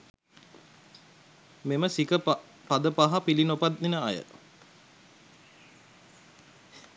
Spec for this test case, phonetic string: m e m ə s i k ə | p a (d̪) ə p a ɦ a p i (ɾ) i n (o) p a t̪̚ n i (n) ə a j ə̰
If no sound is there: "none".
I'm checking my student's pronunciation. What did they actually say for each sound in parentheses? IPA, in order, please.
d̪, l, o, n

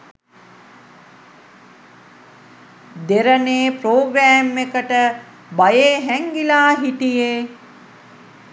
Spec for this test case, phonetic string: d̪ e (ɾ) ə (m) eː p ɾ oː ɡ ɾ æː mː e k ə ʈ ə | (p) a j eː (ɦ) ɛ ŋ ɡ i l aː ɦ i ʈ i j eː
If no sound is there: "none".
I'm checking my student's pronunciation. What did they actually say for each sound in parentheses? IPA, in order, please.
ɾ, n, b, ɦ

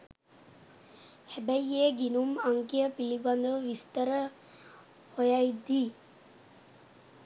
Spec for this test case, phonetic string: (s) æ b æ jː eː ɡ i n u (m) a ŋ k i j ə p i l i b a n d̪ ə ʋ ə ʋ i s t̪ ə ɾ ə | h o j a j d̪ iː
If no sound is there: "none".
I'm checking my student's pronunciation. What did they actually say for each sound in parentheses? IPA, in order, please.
h, m

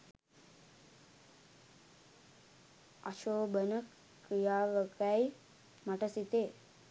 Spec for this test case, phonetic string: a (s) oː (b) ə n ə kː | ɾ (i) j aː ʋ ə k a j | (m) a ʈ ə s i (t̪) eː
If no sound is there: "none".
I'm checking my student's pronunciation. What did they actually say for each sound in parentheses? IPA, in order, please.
ʃ, b, i, m, t̪

